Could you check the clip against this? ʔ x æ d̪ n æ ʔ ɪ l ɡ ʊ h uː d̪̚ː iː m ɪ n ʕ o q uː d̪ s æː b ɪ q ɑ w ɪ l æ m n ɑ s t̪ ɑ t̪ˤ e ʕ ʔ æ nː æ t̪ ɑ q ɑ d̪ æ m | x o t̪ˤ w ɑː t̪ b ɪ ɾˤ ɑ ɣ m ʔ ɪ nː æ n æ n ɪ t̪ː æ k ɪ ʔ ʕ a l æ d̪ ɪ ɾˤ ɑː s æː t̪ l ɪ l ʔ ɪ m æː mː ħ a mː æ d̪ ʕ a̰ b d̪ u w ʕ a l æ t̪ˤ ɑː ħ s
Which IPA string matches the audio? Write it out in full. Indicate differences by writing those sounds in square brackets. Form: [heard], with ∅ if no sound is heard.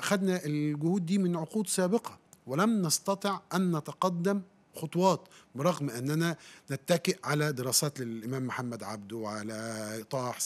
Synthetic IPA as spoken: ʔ x æ d̪ n æ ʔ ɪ l ɡ ʊ h uː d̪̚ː iː m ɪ n ʕ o q uː d̪ s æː b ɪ q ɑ w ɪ l æ m n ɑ s t̪ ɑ t̪ˤ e ʕ ʔ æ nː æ t̪ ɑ q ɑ [d̪ː] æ m | x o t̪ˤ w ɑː t̪ b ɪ ɾˤ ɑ ɣ m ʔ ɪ nː æ n æ n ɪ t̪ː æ k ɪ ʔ ʕ a l æ d̪ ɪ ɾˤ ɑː s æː t̪ l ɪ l ʔ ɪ m æː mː ħ a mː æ d̪ ʕ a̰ b d̪ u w ʕ a l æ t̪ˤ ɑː ħ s